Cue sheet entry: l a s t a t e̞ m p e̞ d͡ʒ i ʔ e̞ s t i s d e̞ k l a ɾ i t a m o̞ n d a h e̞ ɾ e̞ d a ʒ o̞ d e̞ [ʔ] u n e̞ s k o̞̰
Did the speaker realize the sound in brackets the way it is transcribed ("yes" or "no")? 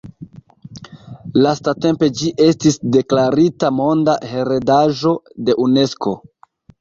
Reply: yes